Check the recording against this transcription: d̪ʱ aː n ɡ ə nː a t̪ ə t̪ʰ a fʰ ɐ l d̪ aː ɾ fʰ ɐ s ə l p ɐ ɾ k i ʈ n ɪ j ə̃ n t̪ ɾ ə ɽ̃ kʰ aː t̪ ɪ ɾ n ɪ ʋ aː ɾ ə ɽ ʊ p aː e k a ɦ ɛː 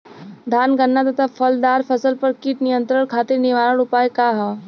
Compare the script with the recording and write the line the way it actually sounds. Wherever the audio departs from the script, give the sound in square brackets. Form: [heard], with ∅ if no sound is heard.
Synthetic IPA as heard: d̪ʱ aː n ɡ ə nː a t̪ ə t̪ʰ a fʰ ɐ l d̪ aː ɾ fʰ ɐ s ə l p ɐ ɾ k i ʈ n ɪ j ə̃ n t̪ ɾ ə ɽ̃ kʰ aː t̪ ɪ ɾ n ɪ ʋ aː ɾ ə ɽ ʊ p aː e k a ɦ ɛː